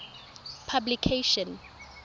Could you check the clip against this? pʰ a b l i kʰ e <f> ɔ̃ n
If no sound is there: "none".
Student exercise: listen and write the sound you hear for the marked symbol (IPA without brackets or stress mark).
ʃ